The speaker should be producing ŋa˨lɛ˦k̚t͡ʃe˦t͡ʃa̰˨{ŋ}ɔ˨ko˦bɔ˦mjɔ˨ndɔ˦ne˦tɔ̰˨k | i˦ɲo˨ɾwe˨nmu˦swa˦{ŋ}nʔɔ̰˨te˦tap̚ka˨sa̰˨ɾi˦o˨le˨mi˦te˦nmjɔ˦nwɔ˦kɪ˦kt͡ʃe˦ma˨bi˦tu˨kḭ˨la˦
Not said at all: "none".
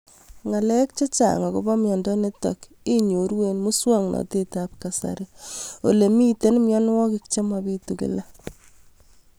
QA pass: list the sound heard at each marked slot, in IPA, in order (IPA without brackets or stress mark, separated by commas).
ŋ, ŋ